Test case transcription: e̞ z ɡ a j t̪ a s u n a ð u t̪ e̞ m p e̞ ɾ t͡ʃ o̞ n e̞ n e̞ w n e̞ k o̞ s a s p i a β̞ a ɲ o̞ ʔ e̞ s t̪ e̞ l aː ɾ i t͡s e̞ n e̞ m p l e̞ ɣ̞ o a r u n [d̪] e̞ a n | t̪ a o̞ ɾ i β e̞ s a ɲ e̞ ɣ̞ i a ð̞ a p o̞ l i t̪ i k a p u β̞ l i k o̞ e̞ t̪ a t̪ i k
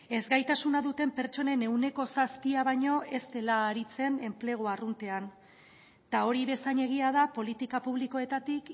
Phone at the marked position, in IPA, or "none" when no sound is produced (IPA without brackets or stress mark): t̪